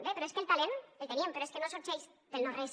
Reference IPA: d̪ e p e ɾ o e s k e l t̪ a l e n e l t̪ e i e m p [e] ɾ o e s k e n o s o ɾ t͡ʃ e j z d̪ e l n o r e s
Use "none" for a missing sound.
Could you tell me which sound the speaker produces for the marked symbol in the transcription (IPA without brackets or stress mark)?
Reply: e